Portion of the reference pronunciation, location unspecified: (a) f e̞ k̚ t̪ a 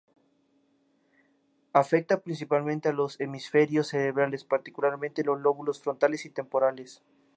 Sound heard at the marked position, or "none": a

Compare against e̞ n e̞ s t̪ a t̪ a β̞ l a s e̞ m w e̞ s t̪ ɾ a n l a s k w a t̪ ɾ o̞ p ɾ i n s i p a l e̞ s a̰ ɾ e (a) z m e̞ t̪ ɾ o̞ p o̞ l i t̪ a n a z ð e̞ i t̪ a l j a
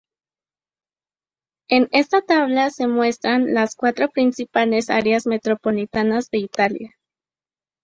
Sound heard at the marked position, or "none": a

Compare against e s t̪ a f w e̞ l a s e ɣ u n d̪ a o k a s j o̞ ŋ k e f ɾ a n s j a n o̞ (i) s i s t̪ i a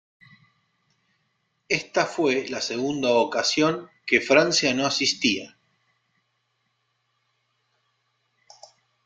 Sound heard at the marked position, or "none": a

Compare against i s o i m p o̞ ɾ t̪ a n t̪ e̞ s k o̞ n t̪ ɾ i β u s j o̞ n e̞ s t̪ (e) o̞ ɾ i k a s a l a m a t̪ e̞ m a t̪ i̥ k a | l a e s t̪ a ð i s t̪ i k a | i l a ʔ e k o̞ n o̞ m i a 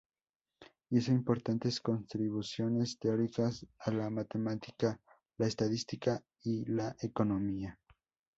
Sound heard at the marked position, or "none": e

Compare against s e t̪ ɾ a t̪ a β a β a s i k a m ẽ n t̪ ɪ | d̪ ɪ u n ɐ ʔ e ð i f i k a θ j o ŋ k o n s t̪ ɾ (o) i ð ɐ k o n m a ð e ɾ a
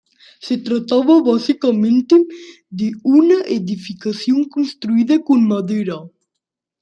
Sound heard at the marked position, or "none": u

